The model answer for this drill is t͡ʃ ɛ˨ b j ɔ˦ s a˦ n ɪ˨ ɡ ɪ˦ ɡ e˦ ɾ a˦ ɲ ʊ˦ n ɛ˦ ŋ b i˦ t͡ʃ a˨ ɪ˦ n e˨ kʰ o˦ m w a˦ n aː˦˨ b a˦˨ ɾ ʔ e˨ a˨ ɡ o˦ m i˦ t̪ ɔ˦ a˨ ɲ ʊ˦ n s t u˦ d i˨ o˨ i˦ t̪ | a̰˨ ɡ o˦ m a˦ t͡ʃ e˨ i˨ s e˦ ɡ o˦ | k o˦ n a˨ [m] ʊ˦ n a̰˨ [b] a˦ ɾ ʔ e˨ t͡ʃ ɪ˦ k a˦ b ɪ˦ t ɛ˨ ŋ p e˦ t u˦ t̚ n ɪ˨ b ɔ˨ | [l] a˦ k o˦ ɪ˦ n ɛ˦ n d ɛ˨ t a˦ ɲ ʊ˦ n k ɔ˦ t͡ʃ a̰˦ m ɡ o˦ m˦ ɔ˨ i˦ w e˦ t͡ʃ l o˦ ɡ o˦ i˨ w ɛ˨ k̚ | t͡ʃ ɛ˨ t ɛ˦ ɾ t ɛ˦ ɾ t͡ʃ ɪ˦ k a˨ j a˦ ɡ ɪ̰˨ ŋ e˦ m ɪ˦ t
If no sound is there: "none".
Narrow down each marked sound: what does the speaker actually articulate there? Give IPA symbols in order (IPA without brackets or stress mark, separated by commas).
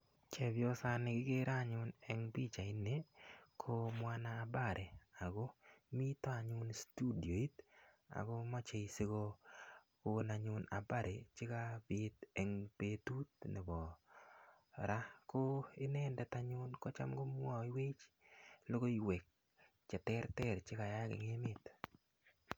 ɲ, b, ɾ